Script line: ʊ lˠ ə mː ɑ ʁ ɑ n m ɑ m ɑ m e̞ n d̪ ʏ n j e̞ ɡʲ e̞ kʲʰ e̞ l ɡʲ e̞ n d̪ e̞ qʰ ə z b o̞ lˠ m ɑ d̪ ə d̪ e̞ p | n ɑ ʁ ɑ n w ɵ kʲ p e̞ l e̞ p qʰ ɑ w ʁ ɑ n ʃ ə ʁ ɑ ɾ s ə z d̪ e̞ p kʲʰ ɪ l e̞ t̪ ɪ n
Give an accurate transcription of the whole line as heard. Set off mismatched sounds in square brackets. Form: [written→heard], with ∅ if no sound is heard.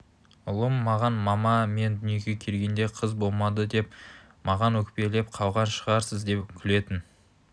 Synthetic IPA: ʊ lˠ ə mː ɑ ʁ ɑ n m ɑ m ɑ m e̞ n d̪ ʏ n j e̞ ɡʲ e̞ kʲʰ e̞ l ɡʲ e̞ n d̪ e̞ qʰ ə z b o̞ lˠ m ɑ d̪ ə d̪ e̞ p | [n→m] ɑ ʁ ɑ n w ɵ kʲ p e̞ l e̞ p qʰ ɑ w ʁ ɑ n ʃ ə ʁ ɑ ɾ s ə z d̪ e̞ p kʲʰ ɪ l e̞ t̪ ɪ n